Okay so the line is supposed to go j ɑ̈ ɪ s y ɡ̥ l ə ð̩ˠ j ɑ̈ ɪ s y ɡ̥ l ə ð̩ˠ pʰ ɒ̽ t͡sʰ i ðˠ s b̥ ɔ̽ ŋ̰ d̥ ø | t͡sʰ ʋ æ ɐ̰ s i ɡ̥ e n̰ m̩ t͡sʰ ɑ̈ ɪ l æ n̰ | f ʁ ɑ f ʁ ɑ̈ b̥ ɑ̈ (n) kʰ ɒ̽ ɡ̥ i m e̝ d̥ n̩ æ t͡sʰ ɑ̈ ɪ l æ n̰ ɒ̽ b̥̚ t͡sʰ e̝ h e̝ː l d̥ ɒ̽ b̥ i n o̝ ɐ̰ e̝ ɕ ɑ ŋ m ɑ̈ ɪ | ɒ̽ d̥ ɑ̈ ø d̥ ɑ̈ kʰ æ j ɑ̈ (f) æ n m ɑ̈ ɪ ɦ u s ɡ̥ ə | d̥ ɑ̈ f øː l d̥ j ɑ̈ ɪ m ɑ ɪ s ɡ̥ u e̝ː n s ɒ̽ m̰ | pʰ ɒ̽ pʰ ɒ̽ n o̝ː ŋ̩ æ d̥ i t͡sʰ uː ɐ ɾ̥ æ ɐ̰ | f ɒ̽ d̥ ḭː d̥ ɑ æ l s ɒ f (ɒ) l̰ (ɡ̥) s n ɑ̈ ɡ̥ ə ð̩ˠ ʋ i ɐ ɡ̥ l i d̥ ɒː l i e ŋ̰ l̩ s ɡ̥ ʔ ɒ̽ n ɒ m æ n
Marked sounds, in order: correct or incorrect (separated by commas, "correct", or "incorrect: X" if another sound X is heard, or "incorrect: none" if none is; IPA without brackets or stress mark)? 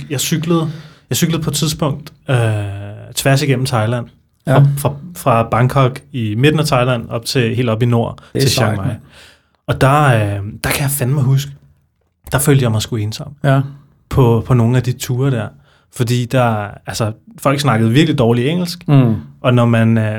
incorrect: ŋ, correct, correct, correct